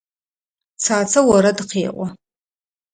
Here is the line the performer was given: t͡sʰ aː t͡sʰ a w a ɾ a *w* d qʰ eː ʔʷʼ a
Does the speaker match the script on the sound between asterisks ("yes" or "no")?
no